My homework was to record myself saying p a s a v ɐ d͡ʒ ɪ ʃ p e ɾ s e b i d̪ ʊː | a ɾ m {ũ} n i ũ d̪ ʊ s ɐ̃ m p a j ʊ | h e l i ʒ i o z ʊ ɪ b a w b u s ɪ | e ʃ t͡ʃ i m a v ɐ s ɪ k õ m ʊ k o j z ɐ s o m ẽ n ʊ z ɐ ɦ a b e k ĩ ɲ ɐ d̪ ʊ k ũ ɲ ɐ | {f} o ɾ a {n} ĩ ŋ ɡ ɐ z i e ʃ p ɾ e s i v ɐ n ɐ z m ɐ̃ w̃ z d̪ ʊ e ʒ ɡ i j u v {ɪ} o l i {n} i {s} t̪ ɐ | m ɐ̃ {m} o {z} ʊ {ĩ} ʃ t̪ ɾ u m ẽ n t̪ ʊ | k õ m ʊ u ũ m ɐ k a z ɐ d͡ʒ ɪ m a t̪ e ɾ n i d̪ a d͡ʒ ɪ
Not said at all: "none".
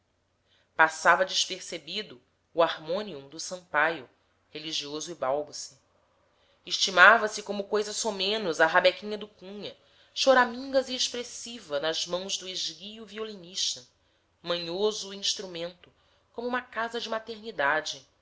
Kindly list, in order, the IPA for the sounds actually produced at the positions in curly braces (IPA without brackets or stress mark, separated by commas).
õ, ʃ, m, i, n, ʃ, ɲ, z, ĩ